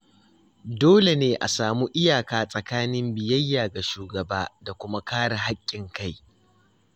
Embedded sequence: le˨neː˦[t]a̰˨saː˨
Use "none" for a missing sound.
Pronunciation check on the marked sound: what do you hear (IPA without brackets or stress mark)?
ʔ